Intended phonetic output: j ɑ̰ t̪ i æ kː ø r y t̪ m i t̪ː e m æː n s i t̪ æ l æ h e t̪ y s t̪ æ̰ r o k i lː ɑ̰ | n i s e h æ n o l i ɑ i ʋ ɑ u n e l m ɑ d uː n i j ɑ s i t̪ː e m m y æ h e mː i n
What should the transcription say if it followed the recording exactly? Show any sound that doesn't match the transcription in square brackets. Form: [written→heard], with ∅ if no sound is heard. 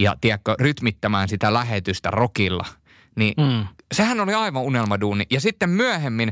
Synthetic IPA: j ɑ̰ t̪ i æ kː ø r y t̪ m i t̪ː [e→æ] m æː n s i t̪ æ l æ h e t̪ y s t̪ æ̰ r o k i lː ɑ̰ | n i s e h æ n o l i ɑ i ʋ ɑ u n e l m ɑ d uː n i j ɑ s i t̪ː e m m y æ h e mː i n